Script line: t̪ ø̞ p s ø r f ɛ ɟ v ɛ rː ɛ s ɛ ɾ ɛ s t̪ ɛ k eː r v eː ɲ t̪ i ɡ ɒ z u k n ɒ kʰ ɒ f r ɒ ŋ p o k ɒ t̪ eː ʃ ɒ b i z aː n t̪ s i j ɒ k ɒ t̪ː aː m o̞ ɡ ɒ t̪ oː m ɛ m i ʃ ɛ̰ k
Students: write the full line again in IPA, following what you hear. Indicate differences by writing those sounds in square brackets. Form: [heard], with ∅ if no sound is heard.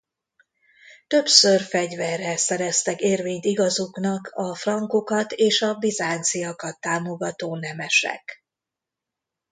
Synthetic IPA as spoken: t̪ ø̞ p s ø r f ɛ ɟ v ɛ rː ɛ s ɛ ɾ ɛ s t̪ ɛ k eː r v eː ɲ t̪ i ɡ ɒ z u k n ɒ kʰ ɒ f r ɒ ŋ [k] o k ɒ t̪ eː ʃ ɒ b i z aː n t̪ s i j ɒ k ɒ t̪ː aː m o̞ ɡ ɒ t̪ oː [n] ɛ m [ɛ] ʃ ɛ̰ k